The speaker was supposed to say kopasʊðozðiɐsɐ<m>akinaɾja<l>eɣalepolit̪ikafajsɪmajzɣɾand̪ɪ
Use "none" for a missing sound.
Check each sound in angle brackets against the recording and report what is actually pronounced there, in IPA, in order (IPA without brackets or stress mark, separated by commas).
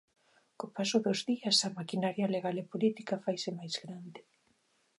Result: m, l